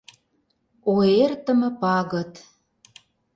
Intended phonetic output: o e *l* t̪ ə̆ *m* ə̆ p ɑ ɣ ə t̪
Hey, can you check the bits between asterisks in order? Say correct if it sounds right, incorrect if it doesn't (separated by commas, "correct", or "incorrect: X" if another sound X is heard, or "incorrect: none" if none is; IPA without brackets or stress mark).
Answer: incorrect: r, correct